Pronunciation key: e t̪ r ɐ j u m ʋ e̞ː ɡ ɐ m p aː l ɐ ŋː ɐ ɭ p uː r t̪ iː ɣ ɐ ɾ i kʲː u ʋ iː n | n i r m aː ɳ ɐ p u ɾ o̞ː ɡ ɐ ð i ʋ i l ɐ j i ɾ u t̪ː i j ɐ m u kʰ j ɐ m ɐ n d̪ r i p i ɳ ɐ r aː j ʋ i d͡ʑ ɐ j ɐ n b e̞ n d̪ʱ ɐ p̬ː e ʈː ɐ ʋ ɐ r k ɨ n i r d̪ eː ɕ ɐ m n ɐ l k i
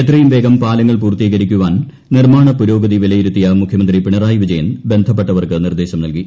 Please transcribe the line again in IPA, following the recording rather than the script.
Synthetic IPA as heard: e t̪ r ɐ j u m ʋ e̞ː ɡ ɐ m p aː l ɐ ŋː ɐ ɭ p uː r t̪ iː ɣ ɐ ɾ i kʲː u ʋ aː n | n i r m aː ɳ ɐ p u ɾ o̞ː ɡ ɐ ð i ʋ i l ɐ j i ɾ u t̪ː i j ɐ m u kʰ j ɐ m ɐ n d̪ r i p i ɳ ɐ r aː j ʋ i d͡ʑ ɐ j ɐ n b e̞ n d̪ʱ ɐ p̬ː e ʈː ɐ ʋ ɐ r k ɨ n i r d̪ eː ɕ ɐ m n ɐ l k i